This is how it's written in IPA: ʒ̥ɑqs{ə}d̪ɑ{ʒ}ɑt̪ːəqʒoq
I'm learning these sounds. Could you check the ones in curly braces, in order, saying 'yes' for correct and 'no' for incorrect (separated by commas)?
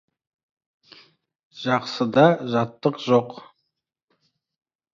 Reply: yes, yes